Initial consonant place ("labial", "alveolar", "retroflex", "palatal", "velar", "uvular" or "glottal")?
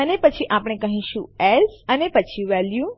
alveolar